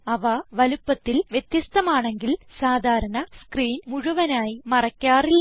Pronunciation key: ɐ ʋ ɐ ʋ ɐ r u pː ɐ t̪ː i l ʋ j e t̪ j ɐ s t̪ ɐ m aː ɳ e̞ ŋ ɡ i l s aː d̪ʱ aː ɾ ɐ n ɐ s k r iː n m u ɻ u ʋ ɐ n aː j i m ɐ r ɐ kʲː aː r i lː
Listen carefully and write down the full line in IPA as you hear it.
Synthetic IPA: ɐ ʋ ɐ ʋ ɐ l u pː ɐ t̪ː i l ʋ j e t̪ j ɐ s t̪ ɐ m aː ɳ e̞ ŋ ɡ i l s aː d̪ʱ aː ɾ ɐ n ɐ s k r iː n m u ɻ u ʋ ɐ n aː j i m ɐ r ɐ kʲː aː r i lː